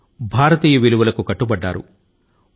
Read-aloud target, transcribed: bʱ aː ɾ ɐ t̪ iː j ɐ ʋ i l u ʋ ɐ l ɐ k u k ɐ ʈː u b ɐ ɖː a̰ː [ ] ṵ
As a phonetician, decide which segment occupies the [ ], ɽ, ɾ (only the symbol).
ɾ